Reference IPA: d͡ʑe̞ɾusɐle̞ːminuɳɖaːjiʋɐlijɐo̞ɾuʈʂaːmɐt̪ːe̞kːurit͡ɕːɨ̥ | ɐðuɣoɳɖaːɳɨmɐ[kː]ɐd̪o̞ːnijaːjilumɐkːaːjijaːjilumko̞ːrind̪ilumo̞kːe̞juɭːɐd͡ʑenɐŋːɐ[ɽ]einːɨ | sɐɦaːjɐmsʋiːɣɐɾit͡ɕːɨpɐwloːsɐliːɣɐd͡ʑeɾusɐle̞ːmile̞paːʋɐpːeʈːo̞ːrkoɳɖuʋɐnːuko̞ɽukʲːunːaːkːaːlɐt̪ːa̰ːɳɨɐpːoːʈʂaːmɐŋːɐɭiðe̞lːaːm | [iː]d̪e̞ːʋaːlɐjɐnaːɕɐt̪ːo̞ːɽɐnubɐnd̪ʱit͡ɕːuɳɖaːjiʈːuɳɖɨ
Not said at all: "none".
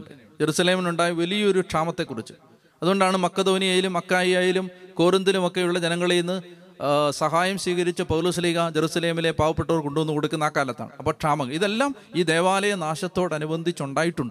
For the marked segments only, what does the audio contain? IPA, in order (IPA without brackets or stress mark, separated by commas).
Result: kː, ɭ, iː